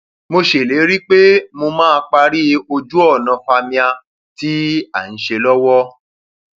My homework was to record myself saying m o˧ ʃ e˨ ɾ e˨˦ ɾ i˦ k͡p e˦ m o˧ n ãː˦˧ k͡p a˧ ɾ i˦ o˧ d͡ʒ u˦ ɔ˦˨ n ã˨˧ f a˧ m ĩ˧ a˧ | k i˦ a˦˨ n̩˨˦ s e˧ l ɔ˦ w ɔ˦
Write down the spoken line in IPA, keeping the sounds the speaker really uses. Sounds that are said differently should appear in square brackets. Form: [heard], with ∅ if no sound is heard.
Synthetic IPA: m o˧ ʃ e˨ [l] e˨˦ ɾ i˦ k͡p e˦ m o˧ [m] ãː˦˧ k͡p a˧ ɾ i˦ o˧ d͡ʒ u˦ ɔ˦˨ n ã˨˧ f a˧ m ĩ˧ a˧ | [t] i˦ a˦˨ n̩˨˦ [ʃ] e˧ l ɔ˦ w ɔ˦

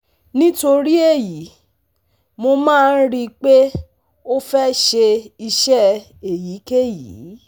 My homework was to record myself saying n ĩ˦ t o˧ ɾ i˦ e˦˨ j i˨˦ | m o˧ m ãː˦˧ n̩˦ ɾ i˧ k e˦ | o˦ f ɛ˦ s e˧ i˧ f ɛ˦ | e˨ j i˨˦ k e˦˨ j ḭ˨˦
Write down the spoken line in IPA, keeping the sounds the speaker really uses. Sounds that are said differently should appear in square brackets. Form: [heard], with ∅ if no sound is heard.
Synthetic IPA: n ĩ˦ t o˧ ɾ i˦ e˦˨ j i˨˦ | m o˧ m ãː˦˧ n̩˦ ɾ i˧ [k͡p] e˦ | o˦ f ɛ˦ [ʃ] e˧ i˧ [ʃ] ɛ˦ | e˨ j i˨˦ k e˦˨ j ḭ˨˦

